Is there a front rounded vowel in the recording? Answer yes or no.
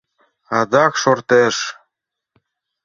no